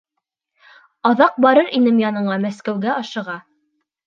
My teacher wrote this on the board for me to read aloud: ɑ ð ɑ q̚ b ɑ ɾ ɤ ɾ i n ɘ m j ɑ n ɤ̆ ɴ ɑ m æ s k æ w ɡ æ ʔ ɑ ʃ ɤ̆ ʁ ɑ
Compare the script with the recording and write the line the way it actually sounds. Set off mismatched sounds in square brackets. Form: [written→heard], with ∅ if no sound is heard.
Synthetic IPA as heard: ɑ ð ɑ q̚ b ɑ ɾ ɤ ɾ i n ɘ m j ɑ n ɤ̆ ɴ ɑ m æ s k æ w ɡ æ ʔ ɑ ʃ ɤ̆ ʁ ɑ